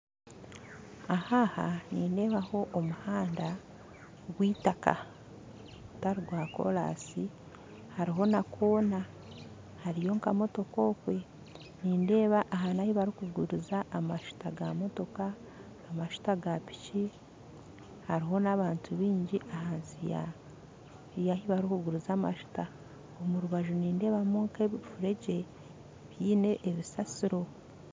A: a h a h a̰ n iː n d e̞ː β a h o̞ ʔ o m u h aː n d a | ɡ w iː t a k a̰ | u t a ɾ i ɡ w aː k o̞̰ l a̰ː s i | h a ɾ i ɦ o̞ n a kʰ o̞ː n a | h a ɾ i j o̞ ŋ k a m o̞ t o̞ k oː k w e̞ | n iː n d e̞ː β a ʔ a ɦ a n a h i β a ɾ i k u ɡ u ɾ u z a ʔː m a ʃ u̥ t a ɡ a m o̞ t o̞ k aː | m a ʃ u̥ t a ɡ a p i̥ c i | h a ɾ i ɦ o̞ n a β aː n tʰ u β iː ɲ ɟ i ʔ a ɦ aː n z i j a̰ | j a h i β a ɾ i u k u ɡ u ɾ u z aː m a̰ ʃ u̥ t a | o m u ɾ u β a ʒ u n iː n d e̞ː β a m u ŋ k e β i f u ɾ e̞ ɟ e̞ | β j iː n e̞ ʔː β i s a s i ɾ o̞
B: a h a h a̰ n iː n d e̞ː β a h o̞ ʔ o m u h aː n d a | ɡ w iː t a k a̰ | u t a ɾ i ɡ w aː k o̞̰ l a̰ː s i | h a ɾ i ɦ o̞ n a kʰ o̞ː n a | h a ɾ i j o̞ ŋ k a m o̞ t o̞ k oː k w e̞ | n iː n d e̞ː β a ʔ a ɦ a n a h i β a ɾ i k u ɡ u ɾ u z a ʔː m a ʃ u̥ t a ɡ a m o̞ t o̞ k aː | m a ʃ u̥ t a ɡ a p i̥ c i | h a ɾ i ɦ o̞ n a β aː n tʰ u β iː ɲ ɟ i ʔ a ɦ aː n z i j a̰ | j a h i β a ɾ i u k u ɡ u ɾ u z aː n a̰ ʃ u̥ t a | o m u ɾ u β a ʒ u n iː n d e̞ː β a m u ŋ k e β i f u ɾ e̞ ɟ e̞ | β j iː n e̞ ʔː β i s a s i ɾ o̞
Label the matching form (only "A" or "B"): A